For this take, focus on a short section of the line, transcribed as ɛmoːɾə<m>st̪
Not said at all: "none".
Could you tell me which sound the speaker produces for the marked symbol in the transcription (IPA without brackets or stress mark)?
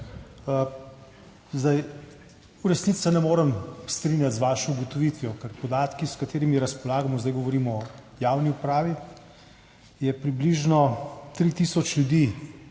m